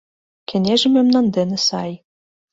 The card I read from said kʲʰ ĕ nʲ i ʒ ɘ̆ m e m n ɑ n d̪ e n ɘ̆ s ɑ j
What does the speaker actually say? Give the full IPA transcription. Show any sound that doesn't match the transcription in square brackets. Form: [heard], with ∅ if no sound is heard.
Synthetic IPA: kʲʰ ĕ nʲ [e] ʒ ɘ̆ m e m n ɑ n d̪ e n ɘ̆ s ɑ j

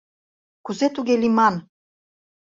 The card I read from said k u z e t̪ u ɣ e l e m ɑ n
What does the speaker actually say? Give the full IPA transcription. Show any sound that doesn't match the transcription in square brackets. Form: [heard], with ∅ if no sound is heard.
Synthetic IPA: k u z e t̪ u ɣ e l [i] m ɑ n

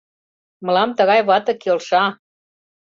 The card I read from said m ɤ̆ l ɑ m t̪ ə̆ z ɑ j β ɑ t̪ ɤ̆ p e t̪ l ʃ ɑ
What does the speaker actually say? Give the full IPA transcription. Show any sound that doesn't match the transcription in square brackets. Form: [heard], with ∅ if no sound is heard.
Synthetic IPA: m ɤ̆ l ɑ m t̪ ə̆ [ɣ] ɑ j β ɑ t̪ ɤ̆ [k] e [∅] l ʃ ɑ

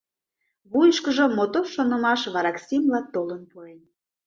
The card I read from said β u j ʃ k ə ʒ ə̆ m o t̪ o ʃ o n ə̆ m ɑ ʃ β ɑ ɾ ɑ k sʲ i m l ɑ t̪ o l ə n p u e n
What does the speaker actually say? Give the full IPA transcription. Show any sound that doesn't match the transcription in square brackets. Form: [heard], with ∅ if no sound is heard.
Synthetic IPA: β u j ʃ k ə ʒ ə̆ m o t̪ o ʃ o n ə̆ m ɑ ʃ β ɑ ɾ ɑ k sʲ i m l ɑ t̪ o l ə n p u e n

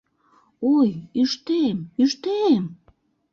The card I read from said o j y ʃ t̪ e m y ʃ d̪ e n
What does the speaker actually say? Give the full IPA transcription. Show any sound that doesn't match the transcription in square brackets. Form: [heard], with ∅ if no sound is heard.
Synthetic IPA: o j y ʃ t̪ e m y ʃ [t̪] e [m]

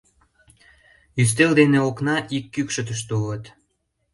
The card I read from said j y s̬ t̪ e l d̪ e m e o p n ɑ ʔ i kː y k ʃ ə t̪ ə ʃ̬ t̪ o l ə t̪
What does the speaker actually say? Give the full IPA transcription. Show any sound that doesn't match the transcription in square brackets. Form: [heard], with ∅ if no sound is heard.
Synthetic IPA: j y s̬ t̪ e l d̪ e [n] e o [k] n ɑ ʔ i kː y k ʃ ə t̪ ə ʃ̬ t̪ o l ə t̪

